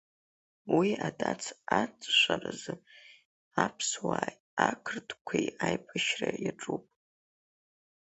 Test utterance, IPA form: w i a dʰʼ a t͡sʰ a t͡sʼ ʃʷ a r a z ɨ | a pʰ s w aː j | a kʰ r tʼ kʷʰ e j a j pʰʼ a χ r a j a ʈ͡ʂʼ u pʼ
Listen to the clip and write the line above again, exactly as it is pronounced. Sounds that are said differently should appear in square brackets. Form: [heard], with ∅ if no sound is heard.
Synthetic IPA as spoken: w i a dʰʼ a t͡sʰ a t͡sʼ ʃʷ a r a z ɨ | a pʰ s w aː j | a kʰ r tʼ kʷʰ e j a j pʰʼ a [ʃ] r a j a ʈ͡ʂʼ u pʼ